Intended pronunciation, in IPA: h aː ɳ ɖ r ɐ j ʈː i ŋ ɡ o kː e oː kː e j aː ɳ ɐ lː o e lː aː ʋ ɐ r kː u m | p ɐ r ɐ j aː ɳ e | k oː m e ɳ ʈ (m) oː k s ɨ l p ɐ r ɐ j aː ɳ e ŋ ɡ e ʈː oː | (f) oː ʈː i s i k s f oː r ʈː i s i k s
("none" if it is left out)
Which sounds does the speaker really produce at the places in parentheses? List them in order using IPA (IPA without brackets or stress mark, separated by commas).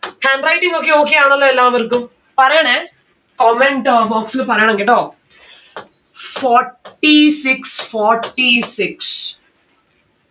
b, f